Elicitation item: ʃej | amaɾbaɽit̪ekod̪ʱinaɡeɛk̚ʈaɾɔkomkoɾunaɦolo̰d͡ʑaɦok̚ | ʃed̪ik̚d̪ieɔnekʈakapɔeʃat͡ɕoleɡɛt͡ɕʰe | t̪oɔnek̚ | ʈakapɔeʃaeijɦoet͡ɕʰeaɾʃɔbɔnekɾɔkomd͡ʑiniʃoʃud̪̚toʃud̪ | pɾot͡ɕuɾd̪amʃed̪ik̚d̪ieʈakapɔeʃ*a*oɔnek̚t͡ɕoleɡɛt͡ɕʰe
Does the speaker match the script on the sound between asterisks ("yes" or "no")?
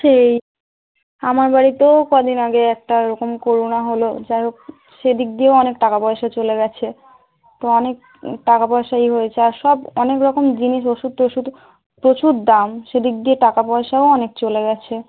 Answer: yes